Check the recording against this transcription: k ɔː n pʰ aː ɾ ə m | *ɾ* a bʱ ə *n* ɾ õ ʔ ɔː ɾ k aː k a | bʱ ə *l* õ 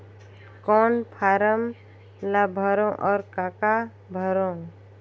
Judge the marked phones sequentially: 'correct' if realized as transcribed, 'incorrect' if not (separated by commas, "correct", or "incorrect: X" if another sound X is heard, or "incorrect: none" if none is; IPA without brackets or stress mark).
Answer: incorrect: l, incorrect: none, incorrect: ɾ